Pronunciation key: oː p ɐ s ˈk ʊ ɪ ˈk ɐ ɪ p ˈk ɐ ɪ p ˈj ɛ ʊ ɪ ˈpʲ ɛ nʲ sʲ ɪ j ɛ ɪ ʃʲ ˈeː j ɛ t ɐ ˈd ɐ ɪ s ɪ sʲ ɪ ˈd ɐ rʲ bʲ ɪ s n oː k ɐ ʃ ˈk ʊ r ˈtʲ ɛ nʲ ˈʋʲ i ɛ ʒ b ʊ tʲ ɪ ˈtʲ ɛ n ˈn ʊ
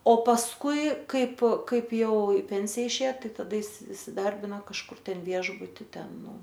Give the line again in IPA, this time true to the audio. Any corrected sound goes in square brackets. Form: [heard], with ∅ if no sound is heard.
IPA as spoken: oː p ɐ s ˈk ʊ ɪ ˈk ɐ ɪ p ˈk ɐ ɪ p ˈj ɛ ʊ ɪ ˈpʲ ɛ nʲ sʲ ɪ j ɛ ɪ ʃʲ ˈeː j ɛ t ɐ ˈd ɐ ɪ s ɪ sʲ ɪ ˈd ɐ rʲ bʲ ɪ [∅] n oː k ɐ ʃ ˈk ʊ r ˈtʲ ɛ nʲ ˈʋʲ i ɛ ʒ b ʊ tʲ ɪ ˈtʲ ɛ n ˈn ʊ